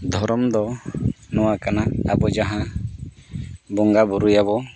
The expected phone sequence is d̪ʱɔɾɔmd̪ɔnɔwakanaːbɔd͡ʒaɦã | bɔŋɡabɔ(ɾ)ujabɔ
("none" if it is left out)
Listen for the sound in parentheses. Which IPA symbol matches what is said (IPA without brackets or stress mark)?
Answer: ɾ